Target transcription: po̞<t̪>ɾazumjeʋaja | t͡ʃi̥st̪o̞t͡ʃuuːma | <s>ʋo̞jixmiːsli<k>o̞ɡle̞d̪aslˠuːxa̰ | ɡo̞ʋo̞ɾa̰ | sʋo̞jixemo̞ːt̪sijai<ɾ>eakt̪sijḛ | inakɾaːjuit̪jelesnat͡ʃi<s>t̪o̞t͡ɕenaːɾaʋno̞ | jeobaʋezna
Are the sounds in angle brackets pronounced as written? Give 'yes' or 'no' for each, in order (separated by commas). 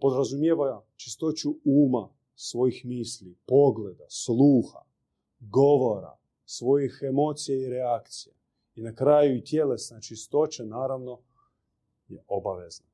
no, yes, no, yes, yes